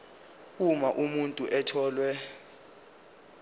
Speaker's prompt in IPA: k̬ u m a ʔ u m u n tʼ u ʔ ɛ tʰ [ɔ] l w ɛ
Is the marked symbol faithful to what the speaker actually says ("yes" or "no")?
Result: no